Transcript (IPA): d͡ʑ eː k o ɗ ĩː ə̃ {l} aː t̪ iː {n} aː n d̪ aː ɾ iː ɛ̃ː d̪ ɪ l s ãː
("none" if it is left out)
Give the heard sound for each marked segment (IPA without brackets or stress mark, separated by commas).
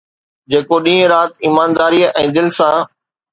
ɾ, m